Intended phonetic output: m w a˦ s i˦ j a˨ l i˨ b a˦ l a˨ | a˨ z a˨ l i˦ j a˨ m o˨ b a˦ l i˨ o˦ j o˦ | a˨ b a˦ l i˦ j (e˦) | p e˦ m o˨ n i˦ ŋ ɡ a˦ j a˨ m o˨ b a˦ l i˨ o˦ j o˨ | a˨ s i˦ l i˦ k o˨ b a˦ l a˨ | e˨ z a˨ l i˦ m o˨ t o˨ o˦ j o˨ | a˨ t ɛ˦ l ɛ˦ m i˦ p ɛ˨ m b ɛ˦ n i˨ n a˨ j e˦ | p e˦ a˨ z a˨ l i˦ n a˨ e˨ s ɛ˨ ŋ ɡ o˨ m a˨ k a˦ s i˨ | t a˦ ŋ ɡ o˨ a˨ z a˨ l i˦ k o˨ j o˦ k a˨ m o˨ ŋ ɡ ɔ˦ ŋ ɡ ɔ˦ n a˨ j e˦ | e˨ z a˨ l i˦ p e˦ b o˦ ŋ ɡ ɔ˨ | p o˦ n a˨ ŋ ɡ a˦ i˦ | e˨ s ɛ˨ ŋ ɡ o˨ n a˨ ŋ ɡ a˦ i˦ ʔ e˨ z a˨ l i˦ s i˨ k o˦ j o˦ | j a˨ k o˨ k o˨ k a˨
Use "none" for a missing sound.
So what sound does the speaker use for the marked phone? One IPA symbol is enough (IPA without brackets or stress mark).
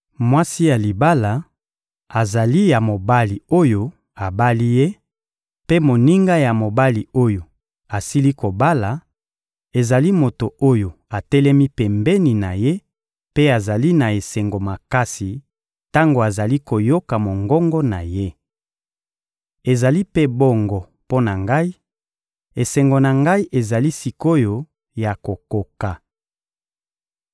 e˦